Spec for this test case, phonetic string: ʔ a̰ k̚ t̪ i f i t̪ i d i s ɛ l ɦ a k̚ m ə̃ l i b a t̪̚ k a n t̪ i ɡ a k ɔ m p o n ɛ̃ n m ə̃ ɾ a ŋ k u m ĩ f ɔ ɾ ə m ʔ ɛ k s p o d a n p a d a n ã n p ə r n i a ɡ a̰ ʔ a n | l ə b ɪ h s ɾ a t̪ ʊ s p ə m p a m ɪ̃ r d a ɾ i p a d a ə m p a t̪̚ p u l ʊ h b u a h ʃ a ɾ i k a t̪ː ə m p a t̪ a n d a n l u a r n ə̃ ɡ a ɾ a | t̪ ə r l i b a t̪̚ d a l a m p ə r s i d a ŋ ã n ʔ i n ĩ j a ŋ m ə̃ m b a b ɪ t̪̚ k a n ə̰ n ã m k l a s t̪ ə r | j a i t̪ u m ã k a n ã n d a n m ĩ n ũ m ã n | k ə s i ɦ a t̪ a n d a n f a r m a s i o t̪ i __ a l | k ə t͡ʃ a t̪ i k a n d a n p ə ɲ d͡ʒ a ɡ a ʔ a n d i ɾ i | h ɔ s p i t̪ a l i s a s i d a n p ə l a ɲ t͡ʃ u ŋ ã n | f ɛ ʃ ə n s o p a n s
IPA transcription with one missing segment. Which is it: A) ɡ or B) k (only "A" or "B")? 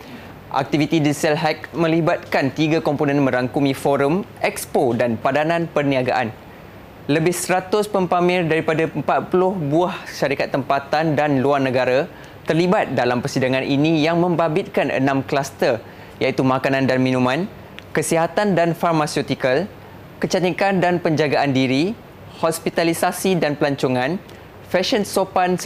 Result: B